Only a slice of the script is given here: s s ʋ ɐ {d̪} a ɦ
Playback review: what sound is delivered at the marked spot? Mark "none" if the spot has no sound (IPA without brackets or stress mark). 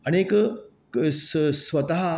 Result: t̪